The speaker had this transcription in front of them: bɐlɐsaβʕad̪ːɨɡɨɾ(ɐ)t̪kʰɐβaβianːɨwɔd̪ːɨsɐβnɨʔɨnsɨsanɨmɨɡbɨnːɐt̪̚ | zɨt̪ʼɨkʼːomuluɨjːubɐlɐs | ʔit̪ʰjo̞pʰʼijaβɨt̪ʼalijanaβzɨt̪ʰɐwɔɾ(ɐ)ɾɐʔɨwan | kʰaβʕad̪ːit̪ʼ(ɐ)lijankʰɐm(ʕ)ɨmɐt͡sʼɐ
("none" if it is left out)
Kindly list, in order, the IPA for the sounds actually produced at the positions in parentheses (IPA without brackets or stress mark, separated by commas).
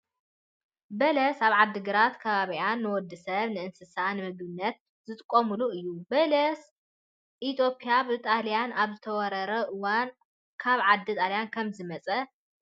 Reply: a, ɐ, a, z